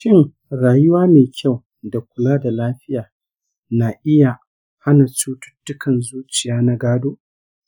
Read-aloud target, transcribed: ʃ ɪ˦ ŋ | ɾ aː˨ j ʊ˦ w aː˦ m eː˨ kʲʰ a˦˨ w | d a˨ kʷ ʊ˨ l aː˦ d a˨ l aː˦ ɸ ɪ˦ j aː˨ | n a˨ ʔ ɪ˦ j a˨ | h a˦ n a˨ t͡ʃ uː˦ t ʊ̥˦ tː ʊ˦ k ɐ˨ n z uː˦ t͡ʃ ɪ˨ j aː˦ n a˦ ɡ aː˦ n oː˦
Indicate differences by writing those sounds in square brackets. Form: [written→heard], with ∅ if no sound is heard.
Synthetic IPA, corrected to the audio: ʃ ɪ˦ ŋ | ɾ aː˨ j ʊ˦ w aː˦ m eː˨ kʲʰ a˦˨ w | d a˨ kʷ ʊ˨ l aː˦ d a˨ l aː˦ ɸ ɪ˦ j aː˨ | n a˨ ʔ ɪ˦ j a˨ | h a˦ n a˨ t͡ʃ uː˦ t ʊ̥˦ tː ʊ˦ k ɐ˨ n z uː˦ t͡ʃ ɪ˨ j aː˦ n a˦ ɡ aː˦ [n→d] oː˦